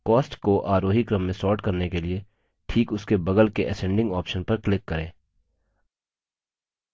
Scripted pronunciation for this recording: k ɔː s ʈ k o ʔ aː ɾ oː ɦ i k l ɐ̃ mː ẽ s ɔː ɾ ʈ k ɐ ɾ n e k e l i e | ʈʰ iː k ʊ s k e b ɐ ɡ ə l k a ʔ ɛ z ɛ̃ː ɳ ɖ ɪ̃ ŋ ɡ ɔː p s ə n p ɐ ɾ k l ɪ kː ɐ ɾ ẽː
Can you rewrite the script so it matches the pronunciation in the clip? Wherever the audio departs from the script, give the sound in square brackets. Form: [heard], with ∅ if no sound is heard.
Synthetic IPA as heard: k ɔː s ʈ k o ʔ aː ɾ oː ɦ i k [ɾ] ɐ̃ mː ẽ s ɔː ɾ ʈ k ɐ ɾ n e k e l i e | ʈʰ iː k ʊ s k e b ɐ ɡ ə l k [e] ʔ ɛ [s] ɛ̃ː ɳ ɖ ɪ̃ ŋ ɡ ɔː p [ʃ] ə n p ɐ ɾ k l ɪ kː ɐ ɾ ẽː

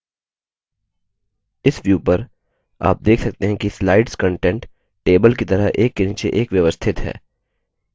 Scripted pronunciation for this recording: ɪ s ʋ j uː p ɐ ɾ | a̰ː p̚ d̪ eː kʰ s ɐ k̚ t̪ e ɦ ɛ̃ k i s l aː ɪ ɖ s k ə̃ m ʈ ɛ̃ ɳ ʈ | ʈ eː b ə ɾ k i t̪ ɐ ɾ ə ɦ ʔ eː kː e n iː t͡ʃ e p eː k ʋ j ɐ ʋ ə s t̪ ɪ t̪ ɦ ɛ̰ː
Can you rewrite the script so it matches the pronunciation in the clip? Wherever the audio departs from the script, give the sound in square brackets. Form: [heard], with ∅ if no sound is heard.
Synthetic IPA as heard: ɪ s ʋ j uː p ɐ ɾ | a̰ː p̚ d̪ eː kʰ s ɐ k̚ t̪ e ɦ ɛ̃ k i s l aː ɪ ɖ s k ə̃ [ɳ] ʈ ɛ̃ ɳ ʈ | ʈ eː b ə [l] k i t̪ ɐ ɾ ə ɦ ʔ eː kː e n iː t͡ʃ e [ʔ] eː k ʋ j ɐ ʋ ə s [t̪ʰ] ɪ t̪ ɦ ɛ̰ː

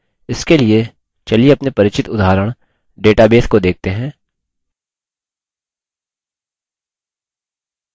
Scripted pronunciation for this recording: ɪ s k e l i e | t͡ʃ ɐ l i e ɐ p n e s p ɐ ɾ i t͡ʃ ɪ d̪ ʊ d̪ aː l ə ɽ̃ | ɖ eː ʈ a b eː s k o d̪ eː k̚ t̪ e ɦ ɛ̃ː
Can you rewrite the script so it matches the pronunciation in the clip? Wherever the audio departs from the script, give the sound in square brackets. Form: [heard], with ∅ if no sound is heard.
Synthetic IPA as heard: ɪ s k e l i e | t͡ʃ ɐ l i e ɐ p n e [∅] p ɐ ɾ [ɪ] t͡ʃ ɪ [t̪] ʊ d̪ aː [ɾ] ə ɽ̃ | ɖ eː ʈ a b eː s k o d̪ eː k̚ t̪ e ɦ ɛ̃ː

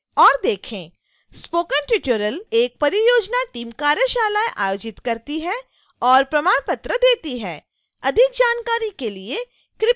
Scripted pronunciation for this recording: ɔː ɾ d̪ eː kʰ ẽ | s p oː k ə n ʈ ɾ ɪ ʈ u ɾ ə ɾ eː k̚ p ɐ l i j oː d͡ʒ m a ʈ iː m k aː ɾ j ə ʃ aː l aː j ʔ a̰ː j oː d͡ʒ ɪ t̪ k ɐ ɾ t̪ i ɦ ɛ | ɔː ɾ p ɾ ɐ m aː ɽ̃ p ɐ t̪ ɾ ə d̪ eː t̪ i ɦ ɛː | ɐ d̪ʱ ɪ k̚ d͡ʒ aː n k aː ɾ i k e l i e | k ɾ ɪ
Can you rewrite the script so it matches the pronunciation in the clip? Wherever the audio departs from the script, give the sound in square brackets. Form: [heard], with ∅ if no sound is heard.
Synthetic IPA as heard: ɔː ɾ d̪ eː kʰ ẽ | s p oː k ə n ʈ ɾ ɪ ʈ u ɾ ə [l] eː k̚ p ɐ [ɾ] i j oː d͡ʒ [n] a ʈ iː m k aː ɾ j ə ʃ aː l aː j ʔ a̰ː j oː d͡ʒ ɪ t̪ k ɐ ɾ t̪ i ɦ ɛ | ɔː ɾ p ɾ ɐ m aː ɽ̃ p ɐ t̪ ɾ ə d̪ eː t̪ i ɦ ɛː | ɐ d̪ʱ ɪ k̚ d͡ʒ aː n k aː ɾ i k e l i e | k ɾ ɪ

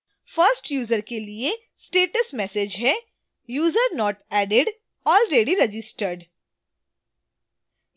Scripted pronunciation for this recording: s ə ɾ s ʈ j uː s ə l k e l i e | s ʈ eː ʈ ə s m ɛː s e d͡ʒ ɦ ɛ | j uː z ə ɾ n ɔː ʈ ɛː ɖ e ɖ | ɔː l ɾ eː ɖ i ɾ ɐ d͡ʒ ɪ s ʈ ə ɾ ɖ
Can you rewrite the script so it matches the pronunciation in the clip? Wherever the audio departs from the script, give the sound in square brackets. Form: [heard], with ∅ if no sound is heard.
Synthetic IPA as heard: [f] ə ɾ s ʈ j uː [z] ə [ɾ] k e l i e | s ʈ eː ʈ ə s m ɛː s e d͡ʒ ɦ ɛ | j uː z ə ɾ n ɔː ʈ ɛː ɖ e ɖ | ɔː l ɾ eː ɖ i ɾ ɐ d͡ʒ ɪ s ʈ ə ɾ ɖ

